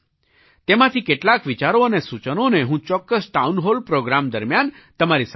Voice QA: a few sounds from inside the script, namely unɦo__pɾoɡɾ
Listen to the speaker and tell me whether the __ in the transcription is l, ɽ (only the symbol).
l